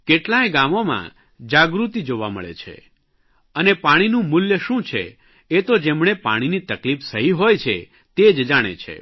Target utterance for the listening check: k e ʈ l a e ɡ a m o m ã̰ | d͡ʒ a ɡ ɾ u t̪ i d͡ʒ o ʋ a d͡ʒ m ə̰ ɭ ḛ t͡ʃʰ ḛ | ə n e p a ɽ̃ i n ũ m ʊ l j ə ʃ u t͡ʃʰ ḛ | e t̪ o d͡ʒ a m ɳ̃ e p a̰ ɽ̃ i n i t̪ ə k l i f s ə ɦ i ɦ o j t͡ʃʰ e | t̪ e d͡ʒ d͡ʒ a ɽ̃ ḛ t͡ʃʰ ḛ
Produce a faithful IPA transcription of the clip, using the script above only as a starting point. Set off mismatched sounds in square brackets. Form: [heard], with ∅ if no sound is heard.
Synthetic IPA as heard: k e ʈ l a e ɡ a m o m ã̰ | d͡ʒ a ɡ ɾ u t̪ i d͡ʒ o ʋ a [∅] m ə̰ ɭ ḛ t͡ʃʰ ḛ | ə n e p a ɽ̃ i n ũ m ʊ l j ə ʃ [ũ] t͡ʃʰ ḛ | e t̪ o d͡ʒ [e] m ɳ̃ e p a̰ ɽ̃ i n i t̪ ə k l i f s ə ɦ i ɦ o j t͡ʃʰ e | t̪ e d͡ʒ d͡ʒ a ɽ̃ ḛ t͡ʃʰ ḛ